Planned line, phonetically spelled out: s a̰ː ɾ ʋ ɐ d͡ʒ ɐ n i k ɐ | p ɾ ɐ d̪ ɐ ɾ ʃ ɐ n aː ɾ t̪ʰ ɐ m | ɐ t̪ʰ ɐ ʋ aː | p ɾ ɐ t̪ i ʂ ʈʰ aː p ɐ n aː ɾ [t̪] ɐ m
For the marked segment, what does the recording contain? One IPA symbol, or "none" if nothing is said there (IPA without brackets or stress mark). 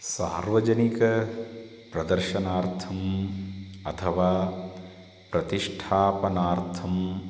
t̪ʰ